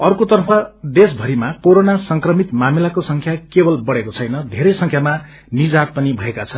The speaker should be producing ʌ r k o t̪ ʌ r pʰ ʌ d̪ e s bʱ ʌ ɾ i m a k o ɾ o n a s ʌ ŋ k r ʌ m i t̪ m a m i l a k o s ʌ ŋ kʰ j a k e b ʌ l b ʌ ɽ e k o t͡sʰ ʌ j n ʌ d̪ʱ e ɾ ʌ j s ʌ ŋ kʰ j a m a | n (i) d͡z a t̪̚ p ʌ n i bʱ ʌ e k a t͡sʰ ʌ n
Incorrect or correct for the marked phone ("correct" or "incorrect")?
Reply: correct